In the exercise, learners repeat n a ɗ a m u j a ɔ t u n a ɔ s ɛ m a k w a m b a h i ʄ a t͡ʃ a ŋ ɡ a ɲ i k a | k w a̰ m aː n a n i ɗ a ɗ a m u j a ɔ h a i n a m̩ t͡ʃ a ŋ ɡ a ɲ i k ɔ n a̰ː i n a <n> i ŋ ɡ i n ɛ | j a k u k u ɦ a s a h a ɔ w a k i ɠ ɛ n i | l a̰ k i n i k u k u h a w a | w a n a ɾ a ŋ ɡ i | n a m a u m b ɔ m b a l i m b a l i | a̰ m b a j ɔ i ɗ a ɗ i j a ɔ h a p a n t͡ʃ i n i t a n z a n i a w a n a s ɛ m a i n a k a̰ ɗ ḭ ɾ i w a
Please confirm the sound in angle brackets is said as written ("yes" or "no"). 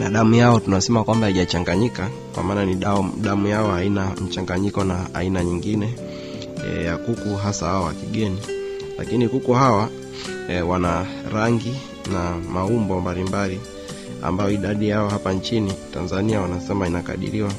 no